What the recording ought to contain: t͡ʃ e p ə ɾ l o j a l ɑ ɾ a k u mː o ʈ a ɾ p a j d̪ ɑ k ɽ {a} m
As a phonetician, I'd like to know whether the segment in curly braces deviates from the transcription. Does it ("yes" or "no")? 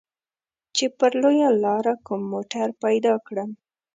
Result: yes